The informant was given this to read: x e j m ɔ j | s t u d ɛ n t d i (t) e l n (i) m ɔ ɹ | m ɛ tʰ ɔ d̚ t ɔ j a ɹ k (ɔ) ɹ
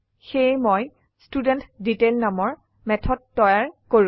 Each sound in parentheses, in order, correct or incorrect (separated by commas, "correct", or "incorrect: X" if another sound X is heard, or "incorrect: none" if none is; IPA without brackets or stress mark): correct, incorrect: a, incorrect: o